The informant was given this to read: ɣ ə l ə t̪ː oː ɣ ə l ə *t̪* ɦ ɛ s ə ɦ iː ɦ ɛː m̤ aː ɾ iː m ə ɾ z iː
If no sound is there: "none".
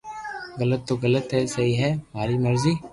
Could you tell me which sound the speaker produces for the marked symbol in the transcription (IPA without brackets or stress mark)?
t̪